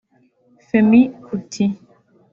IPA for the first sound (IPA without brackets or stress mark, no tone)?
f